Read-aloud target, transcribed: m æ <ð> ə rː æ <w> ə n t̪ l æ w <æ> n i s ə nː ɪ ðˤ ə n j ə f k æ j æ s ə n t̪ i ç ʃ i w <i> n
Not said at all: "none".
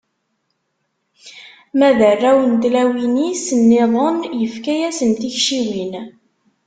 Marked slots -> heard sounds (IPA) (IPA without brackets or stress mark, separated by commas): ð, w, i, i